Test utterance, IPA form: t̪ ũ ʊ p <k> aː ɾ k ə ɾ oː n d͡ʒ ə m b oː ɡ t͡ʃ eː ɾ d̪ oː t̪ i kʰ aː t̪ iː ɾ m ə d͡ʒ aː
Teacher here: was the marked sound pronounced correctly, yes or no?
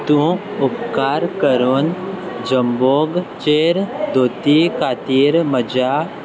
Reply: yes